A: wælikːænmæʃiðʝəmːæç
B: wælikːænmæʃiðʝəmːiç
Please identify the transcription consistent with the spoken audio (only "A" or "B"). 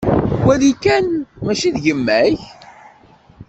A